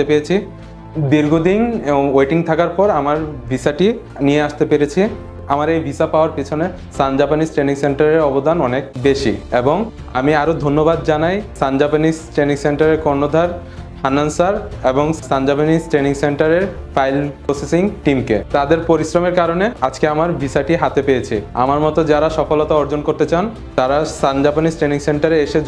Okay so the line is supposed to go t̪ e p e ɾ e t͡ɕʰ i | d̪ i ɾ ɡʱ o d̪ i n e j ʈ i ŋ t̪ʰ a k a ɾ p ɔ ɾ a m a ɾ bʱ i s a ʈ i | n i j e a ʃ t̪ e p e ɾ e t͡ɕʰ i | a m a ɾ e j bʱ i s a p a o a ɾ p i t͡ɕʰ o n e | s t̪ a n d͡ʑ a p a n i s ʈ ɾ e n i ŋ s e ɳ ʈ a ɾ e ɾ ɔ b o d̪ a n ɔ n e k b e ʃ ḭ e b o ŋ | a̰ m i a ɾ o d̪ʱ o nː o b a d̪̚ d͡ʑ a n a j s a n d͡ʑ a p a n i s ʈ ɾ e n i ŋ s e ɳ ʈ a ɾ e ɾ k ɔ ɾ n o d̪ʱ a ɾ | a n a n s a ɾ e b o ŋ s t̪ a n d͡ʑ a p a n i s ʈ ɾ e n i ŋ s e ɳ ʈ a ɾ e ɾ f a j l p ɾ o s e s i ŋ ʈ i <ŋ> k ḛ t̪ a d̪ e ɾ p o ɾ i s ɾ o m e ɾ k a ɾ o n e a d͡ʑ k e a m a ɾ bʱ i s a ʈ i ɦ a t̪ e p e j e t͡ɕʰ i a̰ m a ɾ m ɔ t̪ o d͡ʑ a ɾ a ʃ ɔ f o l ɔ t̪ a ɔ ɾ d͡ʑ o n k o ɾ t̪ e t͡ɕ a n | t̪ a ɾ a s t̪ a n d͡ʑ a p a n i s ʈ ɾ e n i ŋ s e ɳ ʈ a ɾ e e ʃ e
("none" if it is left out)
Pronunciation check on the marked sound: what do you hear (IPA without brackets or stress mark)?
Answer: m